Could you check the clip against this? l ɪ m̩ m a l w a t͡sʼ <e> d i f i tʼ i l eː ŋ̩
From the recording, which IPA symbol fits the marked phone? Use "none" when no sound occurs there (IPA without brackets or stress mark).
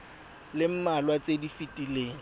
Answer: e